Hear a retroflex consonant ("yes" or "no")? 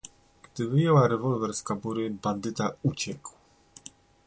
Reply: no